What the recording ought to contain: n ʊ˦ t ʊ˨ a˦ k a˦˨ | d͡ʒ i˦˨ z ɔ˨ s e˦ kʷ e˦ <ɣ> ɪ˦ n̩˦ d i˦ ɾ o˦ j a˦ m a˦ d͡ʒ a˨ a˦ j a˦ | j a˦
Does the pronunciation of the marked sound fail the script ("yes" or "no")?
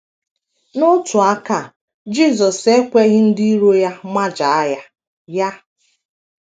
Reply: no